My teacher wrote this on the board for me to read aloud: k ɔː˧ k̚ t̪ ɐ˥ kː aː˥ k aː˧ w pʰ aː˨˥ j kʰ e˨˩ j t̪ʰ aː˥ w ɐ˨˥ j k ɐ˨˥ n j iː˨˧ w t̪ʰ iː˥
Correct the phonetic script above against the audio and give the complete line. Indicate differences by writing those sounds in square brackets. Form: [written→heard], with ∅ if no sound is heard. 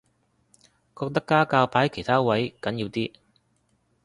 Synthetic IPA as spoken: k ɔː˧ k̚ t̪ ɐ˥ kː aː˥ k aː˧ w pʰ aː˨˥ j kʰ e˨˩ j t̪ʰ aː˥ w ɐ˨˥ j k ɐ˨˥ n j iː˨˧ w [t̪ʰ→t̪] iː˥